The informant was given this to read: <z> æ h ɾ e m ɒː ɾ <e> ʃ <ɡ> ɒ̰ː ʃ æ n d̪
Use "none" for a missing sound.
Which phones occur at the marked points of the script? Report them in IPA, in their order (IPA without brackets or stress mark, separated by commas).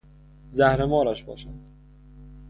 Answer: z, æ, b